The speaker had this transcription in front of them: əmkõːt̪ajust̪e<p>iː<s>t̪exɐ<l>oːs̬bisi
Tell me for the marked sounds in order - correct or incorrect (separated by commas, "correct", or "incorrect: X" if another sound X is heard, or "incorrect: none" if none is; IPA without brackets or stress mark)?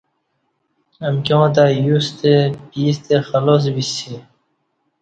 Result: correct, correct, correct